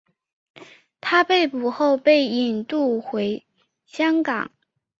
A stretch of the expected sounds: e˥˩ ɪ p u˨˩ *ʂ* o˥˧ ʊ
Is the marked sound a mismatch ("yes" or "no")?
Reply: yes